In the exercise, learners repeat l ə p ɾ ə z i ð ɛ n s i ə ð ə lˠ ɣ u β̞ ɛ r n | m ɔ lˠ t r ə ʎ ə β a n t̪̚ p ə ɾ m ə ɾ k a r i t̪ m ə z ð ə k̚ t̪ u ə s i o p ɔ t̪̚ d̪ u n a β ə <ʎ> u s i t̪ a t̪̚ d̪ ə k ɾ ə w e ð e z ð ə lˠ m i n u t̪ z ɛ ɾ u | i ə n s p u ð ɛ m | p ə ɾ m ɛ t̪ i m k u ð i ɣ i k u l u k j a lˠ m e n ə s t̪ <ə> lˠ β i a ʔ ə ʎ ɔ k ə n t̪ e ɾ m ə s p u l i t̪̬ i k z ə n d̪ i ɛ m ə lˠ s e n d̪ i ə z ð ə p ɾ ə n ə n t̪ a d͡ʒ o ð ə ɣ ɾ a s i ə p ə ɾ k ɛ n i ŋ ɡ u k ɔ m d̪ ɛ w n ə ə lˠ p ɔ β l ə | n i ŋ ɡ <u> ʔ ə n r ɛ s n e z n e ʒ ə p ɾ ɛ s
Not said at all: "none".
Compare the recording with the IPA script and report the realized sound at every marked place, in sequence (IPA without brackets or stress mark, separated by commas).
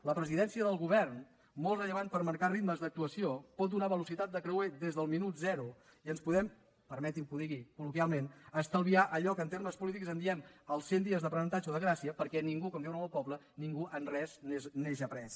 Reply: l, ə, u